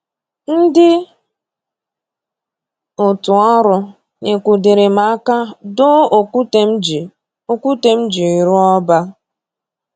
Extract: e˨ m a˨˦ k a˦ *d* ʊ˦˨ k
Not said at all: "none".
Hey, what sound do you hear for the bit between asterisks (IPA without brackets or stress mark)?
d